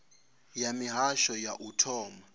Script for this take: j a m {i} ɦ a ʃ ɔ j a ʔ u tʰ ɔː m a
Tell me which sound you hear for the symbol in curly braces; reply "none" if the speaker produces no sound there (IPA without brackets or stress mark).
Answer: i